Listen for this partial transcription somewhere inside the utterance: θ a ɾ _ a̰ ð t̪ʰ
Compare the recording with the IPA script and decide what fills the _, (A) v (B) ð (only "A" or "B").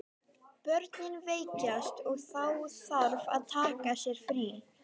A